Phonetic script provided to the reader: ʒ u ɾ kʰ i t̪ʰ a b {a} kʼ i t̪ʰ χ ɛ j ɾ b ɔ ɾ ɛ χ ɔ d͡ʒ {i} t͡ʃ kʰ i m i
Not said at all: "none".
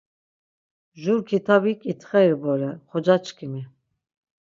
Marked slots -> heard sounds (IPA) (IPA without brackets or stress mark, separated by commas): i, a